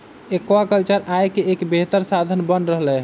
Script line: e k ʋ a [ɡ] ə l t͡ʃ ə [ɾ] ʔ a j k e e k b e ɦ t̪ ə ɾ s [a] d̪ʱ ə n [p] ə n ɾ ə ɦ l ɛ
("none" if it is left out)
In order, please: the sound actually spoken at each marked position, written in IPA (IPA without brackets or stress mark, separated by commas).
k, ɾ, a, b